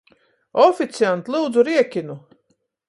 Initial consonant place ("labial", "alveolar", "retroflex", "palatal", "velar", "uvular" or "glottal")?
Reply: labial